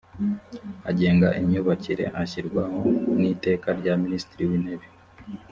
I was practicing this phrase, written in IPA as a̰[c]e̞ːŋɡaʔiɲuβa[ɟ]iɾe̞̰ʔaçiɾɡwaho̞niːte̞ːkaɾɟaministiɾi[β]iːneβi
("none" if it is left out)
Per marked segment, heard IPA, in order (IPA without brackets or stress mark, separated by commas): ɟ, c, w